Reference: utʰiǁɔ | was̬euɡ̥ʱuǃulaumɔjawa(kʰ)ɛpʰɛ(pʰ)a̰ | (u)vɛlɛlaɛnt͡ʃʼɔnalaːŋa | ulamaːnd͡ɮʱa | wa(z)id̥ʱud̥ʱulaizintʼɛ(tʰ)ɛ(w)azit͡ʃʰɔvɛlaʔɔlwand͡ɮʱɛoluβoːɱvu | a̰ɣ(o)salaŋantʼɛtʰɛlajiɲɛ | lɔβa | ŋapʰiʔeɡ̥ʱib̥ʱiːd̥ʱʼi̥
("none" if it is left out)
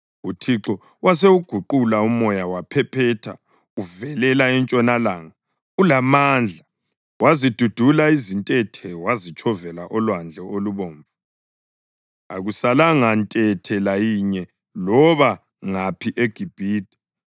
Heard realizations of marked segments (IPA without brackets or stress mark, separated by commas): pʰ, tʰ, u, z, tʰ, w, u